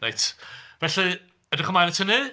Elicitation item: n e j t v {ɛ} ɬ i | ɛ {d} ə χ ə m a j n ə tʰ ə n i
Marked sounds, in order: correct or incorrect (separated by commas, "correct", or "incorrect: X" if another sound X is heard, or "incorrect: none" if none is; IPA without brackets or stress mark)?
correct, correct